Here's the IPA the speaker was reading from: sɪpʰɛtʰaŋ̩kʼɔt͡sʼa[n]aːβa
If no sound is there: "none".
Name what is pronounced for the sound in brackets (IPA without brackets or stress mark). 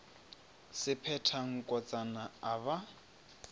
n